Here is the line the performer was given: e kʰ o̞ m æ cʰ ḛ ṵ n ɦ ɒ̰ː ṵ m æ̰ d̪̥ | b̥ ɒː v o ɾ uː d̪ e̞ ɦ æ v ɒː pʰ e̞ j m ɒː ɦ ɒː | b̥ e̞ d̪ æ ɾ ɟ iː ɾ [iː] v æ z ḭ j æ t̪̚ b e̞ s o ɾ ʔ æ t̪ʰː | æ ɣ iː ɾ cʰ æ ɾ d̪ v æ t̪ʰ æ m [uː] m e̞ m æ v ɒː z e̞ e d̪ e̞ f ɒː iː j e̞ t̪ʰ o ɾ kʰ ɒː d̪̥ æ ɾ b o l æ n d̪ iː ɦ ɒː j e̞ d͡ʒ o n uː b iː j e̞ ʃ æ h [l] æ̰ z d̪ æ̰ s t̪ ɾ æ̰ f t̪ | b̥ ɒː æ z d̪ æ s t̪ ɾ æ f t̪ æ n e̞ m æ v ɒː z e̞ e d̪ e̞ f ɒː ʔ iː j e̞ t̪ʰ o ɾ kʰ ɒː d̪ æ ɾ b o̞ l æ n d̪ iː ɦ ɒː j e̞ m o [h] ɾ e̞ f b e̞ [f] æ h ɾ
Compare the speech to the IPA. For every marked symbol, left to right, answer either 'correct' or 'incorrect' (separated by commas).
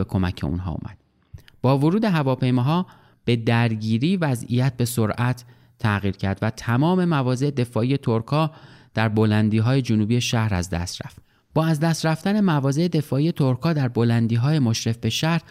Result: correct, incorrect, incorrect, incorrect, incorrect